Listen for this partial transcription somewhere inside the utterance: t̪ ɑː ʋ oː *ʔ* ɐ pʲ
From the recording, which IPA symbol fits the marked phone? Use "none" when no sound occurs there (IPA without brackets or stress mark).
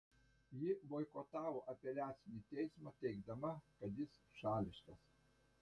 ʔ